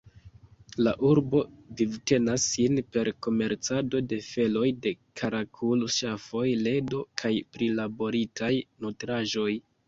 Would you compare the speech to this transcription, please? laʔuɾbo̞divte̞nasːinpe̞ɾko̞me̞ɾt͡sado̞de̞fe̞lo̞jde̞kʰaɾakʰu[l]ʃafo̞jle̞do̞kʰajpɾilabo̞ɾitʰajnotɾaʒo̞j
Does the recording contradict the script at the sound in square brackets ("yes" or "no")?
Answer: no